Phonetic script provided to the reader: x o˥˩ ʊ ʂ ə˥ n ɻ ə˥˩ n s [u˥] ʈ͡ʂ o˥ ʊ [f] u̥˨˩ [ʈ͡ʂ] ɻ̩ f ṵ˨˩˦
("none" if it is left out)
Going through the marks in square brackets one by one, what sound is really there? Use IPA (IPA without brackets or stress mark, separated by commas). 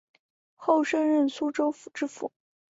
u˥, f, ʈ͡ʂ